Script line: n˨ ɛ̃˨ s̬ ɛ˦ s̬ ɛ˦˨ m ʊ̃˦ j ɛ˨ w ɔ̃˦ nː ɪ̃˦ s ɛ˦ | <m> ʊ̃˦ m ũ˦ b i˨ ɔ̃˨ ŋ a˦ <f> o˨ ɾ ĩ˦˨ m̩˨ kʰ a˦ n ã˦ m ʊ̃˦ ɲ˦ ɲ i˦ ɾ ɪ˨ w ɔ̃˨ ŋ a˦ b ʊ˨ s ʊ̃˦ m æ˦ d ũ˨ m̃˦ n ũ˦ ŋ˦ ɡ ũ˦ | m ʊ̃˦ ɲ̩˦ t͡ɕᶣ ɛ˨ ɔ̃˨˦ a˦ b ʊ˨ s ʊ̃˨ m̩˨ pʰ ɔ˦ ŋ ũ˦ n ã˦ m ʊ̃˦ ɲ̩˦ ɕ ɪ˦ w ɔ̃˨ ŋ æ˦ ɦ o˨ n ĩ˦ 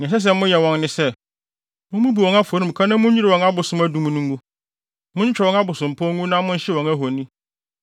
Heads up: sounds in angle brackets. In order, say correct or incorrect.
correct, correct

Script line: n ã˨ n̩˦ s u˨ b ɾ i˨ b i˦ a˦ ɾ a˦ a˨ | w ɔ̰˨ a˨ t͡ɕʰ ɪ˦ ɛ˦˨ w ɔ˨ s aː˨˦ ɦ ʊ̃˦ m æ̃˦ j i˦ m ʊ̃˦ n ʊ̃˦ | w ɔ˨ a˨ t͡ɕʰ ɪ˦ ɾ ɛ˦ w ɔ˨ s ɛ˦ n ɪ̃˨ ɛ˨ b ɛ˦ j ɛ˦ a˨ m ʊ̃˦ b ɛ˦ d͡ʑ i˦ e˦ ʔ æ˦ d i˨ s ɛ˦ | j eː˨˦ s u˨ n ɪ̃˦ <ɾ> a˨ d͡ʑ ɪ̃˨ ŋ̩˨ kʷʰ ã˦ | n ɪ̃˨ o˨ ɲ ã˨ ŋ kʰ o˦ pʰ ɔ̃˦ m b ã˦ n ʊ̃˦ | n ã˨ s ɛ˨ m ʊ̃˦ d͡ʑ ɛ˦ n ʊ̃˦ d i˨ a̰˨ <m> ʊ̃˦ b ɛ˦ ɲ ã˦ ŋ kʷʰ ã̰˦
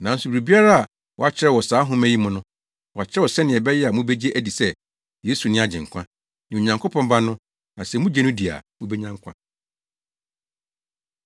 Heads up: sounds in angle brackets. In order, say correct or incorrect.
incorrect, correct

